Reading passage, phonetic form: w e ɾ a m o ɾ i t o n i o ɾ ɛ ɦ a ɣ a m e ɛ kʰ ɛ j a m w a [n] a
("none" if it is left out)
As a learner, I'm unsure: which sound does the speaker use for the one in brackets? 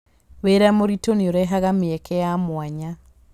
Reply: ɲ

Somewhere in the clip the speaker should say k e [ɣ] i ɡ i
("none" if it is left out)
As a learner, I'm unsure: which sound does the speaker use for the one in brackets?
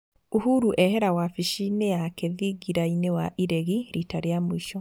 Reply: ð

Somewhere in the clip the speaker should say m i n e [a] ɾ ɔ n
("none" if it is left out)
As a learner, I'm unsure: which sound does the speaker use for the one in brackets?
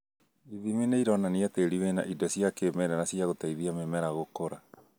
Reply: i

